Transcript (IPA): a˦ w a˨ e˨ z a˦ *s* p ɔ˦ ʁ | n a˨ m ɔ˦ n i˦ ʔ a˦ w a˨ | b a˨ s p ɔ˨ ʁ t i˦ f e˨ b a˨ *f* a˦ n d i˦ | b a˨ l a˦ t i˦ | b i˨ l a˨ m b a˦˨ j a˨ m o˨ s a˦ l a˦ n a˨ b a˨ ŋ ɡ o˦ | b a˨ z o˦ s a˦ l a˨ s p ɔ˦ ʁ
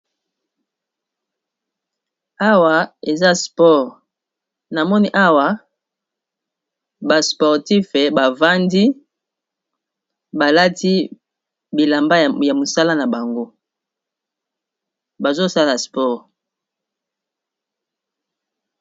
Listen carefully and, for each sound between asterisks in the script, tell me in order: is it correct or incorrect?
correct, incorrect: v

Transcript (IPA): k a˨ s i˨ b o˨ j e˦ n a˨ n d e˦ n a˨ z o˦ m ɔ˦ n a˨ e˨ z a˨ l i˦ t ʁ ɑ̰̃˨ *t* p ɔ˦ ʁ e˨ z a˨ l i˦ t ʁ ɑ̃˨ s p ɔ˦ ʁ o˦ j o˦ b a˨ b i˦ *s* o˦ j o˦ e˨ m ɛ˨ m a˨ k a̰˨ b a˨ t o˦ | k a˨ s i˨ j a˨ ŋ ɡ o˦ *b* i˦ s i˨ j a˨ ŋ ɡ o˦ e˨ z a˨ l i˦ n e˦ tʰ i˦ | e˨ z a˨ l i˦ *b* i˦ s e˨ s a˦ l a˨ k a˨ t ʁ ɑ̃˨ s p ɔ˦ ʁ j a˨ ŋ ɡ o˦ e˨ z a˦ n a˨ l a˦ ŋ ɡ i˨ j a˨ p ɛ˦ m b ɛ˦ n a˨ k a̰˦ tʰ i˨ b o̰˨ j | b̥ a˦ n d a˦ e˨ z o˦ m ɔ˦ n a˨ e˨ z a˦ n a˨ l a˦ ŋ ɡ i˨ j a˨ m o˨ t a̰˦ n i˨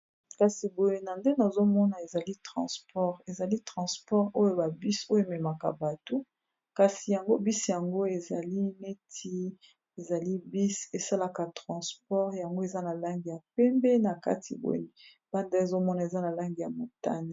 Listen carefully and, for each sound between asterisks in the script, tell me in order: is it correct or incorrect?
incorrect: s, correct, correct, correct

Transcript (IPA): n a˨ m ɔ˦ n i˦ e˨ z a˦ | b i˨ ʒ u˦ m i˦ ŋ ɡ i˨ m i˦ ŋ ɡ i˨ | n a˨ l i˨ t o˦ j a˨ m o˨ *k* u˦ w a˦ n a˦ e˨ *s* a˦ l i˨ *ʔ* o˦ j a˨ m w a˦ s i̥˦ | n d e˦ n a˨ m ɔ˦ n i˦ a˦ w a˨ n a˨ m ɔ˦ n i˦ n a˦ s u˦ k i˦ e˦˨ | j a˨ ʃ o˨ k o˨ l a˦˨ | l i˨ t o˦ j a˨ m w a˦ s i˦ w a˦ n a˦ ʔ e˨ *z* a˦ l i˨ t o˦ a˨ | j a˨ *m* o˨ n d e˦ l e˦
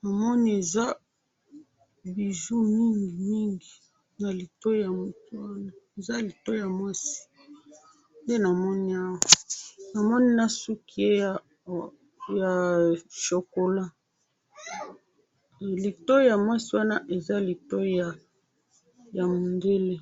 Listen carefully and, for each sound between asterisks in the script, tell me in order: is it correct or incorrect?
incorrect: t, incorrect: z, incorrect: t, correct, correct

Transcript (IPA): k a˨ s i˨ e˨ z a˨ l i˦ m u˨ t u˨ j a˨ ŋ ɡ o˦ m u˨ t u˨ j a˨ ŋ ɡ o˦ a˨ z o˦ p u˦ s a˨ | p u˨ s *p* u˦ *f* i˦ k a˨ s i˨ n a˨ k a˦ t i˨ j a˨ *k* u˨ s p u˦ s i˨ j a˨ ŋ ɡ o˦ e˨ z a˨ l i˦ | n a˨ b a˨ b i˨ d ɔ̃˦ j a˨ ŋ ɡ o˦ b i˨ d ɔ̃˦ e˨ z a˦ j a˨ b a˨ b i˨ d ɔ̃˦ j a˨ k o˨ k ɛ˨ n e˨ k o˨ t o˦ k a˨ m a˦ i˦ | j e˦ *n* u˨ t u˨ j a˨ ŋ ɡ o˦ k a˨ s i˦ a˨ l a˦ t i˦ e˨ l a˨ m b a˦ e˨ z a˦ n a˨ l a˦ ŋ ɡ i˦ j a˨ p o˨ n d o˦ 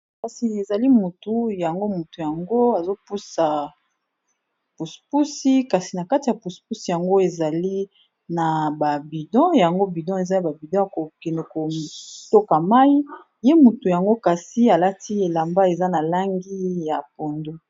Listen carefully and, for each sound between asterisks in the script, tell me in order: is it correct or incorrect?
correct, incorrect: s, incorrect: p, incorrect: m

